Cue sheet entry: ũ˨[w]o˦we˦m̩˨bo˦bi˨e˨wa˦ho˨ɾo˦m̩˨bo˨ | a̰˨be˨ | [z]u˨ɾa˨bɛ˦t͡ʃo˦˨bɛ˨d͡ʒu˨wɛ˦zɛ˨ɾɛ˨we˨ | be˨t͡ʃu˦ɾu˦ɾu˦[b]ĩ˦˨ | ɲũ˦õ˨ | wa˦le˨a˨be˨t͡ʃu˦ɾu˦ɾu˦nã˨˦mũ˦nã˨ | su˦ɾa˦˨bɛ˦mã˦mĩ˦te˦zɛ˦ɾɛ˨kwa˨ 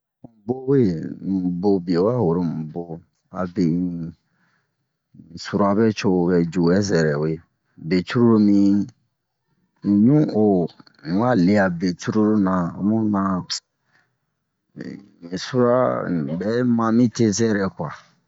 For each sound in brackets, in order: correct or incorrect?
incorrect: b, incorrect: s, incorrect: m

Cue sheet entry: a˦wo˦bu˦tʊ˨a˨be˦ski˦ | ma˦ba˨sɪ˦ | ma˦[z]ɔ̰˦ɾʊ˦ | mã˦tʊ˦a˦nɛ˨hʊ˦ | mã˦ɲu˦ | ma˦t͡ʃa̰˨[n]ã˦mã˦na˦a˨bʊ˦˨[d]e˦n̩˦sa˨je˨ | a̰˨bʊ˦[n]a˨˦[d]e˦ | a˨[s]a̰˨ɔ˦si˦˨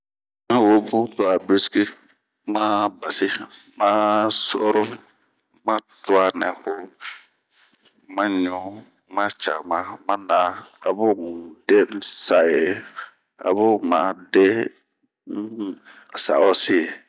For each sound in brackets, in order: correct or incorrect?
incorrect: s, incorrect: m, correct, incorrect: m, correct, correct

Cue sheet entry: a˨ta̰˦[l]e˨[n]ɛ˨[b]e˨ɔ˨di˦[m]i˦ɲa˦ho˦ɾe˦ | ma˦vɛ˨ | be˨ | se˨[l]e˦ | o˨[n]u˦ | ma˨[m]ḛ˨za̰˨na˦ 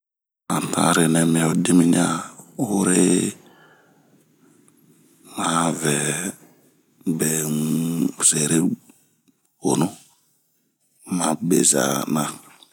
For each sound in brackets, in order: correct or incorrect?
incorrect: ɾ, correct, incorrect: m, correct, incorrect: ɾ, correct, incorrect: b

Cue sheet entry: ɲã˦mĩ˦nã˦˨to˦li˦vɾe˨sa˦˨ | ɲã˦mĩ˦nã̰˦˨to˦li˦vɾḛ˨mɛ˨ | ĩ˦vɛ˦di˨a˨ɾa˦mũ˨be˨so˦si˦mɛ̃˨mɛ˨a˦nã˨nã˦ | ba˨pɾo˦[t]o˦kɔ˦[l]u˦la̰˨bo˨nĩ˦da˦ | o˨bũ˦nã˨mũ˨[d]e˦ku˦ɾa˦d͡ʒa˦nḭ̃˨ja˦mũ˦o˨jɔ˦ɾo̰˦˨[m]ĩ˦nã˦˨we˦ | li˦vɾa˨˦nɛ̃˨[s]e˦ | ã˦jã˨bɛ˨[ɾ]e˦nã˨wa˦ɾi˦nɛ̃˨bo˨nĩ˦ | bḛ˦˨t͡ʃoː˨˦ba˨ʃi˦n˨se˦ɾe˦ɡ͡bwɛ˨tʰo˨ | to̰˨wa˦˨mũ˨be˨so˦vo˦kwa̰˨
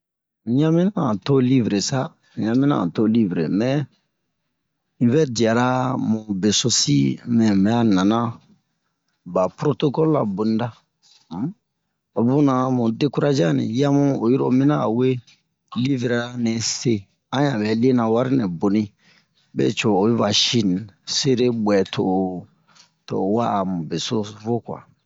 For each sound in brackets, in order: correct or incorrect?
correct, correct, correct, correct, correct, incorrect: l

